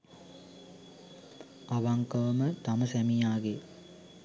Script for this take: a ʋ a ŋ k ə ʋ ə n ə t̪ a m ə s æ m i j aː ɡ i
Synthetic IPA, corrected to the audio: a ʋ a ŋ k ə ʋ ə m ə t̪ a m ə s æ m i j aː ɡ e